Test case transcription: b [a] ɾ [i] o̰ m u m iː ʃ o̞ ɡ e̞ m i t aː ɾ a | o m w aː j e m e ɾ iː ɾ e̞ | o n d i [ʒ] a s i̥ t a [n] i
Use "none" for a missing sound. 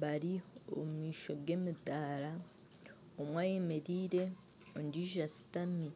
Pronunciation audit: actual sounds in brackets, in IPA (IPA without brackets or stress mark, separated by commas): a, i, ʒ, m